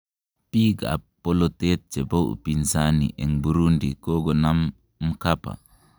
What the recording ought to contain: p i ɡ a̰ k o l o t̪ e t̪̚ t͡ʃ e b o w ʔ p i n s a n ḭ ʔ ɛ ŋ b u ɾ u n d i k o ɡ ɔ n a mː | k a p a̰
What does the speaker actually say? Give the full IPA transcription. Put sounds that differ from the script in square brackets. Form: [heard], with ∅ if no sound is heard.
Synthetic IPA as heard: p i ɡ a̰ [p] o l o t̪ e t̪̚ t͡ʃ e b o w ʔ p i n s a n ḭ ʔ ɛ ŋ b u ɾ u n d i k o ɡ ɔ n a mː | k a p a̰